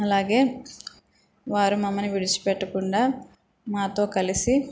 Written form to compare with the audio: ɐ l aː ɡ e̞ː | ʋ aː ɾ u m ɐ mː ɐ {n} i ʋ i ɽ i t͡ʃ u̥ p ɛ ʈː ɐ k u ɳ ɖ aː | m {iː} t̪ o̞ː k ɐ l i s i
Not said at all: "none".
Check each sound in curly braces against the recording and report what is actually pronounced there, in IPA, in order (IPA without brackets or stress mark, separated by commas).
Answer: n, aː